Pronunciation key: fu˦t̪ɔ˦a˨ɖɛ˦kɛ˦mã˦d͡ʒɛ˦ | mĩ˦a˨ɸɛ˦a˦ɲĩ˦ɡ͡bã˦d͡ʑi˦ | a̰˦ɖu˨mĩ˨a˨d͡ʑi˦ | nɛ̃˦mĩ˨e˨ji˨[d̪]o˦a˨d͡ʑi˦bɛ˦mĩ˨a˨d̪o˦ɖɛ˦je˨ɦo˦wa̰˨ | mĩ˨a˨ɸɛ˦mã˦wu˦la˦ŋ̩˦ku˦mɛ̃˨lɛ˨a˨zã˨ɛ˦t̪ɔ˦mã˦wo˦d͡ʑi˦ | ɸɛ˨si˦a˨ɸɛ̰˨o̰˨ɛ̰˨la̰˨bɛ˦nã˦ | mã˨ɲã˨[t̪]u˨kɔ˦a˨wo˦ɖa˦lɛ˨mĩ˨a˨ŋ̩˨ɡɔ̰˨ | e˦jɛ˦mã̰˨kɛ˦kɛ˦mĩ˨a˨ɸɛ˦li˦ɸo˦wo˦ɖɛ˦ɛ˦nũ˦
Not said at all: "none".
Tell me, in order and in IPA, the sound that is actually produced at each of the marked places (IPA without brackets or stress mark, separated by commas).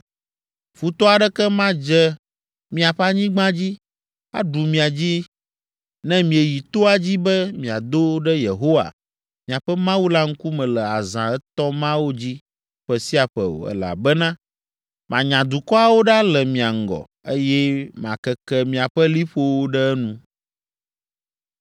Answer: t̪, d̪